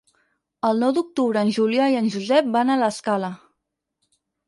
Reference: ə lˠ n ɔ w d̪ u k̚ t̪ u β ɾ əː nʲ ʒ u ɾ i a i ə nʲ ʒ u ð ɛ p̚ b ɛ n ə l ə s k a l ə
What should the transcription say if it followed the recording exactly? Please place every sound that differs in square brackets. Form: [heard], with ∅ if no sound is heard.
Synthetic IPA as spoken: ə lˠ n ɔ w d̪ u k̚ t̪ u β ɾ əː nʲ ʒ u [l] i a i ə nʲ ʒ u [z] ɛ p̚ b [a] n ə l ə s k a l ə